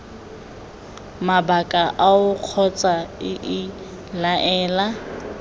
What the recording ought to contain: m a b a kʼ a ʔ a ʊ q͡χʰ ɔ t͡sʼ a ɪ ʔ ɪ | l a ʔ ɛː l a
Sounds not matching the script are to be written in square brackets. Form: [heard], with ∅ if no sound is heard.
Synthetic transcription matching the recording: m a b a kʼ a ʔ a ʊ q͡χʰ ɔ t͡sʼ a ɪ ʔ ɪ | l a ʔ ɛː l a

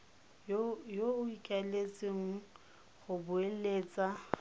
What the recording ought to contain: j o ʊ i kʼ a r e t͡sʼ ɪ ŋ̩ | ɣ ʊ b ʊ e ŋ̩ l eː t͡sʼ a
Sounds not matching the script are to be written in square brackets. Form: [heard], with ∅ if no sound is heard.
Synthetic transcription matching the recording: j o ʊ i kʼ a [l] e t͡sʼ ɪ ŋ̩ | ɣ ʊ b ʊ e [∅] l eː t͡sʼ a

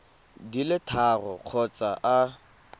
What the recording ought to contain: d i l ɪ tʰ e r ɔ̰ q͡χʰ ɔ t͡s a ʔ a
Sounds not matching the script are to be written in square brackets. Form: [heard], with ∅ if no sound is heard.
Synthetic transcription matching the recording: d i l ɪ tʰ [a] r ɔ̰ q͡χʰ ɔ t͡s a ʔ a

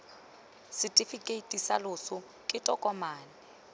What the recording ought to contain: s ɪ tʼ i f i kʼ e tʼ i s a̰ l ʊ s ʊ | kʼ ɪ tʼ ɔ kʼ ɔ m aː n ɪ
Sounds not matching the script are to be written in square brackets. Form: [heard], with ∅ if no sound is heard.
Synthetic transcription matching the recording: s ɪ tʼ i f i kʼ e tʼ i s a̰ l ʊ s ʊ | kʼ ɪ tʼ ɔ kʼ ɔ m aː n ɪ

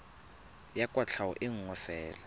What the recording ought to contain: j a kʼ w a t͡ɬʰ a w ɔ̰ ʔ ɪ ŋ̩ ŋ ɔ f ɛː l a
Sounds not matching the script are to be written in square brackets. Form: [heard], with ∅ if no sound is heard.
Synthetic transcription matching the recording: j a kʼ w a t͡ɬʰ a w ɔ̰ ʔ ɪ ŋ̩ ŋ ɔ f ɛː l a

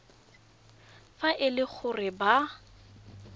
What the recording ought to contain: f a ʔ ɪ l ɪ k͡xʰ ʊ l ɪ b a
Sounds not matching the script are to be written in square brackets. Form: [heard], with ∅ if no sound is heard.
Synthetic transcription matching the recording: f a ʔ ɪ l ɪ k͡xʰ ʊ [r] ɪ b a

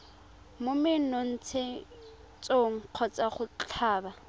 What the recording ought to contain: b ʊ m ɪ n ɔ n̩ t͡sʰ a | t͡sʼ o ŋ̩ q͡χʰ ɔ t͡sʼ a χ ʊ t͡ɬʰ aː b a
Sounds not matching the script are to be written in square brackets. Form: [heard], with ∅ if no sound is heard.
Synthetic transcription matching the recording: [m] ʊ m ɪ n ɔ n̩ t͡sʰ [e] | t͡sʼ o ŋ̩ q͡χʰ ɔ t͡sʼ a χ ʊ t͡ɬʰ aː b a

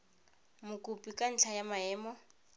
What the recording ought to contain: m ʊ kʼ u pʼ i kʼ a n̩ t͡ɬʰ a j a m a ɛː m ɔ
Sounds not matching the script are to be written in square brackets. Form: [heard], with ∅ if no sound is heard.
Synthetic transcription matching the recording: m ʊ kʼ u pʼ i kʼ a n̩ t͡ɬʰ a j a m a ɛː m ɔ

